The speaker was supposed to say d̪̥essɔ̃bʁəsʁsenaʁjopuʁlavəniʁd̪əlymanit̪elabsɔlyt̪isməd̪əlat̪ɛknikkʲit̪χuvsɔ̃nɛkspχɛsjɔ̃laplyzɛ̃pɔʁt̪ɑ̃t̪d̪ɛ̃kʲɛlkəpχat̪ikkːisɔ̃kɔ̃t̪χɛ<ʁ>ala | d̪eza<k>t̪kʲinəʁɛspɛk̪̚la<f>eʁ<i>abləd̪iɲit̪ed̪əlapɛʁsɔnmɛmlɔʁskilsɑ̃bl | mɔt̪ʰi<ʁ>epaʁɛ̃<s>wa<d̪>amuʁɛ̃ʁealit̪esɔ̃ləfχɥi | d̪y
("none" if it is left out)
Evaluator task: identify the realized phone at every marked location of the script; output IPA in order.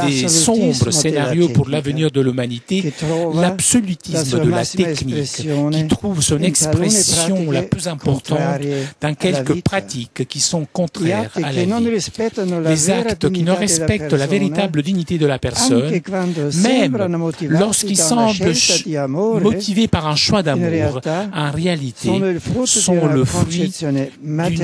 ʁ, k, v, i, v, ʃ, d̪

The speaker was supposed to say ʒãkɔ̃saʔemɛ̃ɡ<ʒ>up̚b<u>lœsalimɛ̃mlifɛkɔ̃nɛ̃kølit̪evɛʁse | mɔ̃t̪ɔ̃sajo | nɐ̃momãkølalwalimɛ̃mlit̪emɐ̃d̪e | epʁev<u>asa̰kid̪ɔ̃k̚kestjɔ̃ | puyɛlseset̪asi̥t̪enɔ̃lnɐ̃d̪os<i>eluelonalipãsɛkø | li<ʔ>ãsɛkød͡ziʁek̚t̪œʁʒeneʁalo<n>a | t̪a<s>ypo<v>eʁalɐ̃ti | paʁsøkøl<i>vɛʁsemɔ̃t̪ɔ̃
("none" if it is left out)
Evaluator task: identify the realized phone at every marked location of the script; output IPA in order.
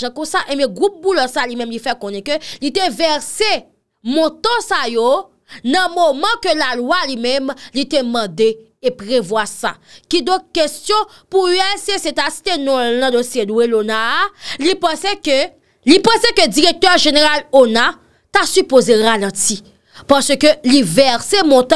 ʁ, u, w, j, p, n, s, z, i

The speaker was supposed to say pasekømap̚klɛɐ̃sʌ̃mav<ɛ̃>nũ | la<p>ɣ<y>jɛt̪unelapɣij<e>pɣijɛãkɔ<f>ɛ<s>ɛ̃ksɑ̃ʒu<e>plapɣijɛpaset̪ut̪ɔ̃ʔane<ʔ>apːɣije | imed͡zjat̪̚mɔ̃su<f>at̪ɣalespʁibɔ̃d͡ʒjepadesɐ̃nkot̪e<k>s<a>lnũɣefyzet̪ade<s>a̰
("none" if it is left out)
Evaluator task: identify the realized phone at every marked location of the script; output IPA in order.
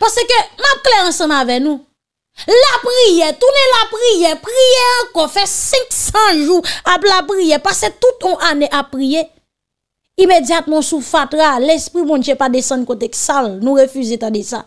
ɛ, p, i, ɛ, f, s, a, ʔ, f, k, a, s

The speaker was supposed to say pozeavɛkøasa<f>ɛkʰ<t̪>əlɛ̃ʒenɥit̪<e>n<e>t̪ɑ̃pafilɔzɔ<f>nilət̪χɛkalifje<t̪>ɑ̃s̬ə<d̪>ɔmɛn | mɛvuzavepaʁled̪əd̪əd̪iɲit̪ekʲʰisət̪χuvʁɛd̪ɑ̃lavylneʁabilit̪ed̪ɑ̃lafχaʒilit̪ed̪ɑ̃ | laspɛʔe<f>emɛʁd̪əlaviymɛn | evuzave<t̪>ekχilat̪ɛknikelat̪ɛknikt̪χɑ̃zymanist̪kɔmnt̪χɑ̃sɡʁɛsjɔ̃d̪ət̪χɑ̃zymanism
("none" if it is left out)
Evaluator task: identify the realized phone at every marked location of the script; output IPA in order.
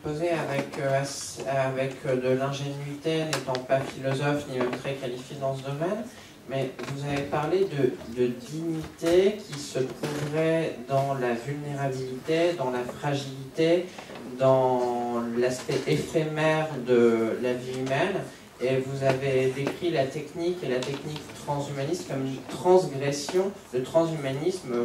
v, d̪, e, e, f, d̪, d̪, f, d̪

